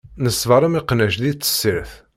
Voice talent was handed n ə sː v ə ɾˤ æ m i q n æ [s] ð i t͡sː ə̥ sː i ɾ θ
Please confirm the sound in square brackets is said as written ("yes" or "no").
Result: no